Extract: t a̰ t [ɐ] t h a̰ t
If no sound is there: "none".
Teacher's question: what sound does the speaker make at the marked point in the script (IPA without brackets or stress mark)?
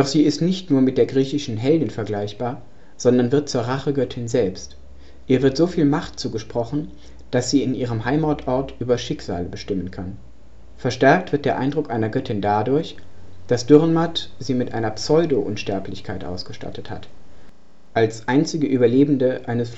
ə